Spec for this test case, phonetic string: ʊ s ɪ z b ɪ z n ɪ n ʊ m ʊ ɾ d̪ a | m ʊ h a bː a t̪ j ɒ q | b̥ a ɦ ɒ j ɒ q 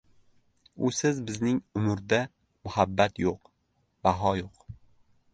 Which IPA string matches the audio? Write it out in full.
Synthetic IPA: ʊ s ɪ z b ɪ z n ɪ ŋ ʊ m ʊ ɾ d̪ a | m ʊ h a bː a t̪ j o q | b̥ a ɦ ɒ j o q